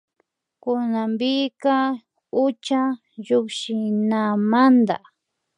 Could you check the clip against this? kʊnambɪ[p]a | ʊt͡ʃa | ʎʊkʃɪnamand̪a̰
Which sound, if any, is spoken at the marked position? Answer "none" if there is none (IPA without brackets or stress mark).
k